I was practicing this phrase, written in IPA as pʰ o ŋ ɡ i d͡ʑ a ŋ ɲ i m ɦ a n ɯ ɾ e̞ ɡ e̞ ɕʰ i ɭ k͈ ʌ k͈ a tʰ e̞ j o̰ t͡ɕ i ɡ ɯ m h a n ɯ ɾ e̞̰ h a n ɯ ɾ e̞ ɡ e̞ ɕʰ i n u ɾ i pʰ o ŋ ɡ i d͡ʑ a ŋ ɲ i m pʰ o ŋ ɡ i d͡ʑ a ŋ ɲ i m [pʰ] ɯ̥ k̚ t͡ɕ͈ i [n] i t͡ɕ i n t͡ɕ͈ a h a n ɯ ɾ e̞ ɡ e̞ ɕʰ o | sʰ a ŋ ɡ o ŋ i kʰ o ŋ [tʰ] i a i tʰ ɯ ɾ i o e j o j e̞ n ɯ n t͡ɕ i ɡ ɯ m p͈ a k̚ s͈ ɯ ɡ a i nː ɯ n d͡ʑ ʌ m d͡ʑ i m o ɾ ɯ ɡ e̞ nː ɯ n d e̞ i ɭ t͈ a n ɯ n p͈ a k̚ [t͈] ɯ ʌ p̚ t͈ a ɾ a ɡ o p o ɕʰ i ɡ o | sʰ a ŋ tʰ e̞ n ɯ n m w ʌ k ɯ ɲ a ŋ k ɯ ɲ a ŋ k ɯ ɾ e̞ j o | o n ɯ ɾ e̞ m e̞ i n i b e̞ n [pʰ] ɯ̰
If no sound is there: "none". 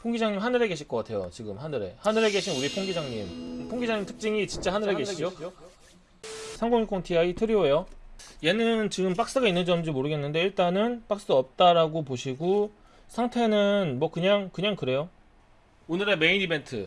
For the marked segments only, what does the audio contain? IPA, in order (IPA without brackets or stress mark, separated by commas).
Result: tʰ, ŋ, tʰ, s͈, tʰ